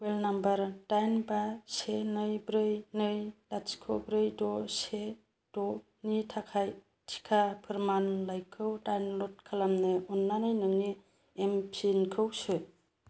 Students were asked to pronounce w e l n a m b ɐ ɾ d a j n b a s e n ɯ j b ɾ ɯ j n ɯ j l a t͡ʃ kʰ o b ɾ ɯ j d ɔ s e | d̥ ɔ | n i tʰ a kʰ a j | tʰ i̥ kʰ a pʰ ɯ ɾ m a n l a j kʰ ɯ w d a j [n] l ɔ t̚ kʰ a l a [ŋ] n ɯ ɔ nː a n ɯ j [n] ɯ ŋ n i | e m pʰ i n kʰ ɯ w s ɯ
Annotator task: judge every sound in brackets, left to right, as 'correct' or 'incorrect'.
correct, incorrect, correct

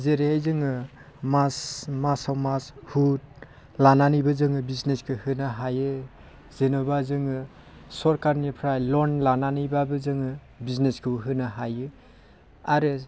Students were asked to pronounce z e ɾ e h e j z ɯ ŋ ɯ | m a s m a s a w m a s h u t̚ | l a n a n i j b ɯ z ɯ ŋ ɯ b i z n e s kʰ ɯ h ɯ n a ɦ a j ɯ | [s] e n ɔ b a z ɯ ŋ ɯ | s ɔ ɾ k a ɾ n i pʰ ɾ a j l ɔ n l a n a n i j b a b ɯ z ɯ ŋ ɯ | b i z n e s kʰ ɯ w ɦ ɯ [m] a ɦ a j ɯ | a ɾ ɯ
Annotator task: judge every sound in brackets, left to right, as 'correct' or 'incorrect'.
incorrect, incorrect

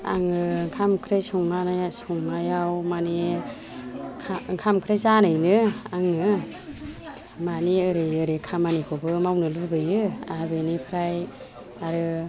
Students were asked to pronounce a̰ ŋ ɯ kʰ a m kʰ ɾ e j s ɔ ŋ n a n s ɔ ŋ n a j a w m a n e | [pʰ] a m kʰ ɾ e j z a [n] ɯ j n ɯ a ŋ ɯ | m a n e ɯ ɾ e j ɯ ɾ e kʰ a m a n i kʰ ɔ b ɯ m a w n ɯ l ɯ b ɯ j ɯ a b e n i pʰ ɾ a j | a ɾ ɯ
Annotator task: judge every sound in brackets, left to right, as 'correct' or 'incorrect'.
incorrect, correct

